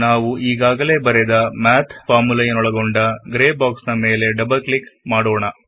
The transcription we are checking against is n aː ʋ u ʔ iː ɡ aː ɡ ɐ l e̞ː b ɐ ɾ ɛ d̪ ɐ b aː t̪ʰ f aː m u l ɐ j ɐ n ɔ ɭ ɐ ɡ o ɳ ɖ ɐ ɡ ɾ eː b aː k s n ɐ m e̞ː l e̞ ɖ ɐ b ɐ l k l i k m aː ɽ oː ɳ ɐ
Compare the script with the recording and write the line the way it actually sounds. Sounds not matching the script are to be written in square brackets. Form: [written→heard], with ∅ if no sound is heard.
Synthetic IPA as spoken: n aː ʋ u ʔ iː ɡ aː ɡ ɐ l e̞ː b ɐ ɾ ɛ d̪ ɐ [b→m] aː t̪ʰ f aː m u l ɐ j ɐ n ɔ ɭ ɐ ɡ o ɳ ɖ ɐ ɡ ɾ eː b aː k s n ɐ m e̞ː l e̞ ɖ ɐ b ɐ l k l i k m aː ɽ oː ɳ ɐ